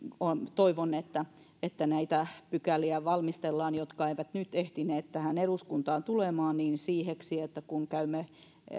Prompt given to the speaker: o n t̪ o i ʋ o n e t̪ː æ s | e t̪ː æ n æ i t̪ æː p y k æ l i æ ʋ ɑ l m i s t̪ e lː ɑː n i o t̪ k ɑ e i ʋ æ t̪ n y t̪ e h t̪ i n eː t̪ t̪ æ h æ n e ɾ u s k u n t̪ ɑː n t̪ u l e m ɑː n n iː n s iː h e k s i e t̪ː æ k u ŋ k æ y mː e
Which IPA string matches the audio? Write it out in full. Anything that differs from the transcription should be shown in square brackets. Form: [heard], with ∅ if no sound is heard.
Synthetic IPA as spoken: o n t̪ o i ʋ o n e t̪ː æ [∅] | e t̪ː æ n æ i t̪ [æ] p y k æ l i æ ʋ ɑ l m i s t̪ e lː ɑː n [j] o t̪ k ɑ e i ʋ æ t̪ n y t̪ e h t̪ i n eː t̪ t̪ æ h æ n e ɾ u s k u n t̪ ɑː n t̪ u l e m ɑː n n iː n s iː h e k s i e t̪ː æ k u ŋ k æ y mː e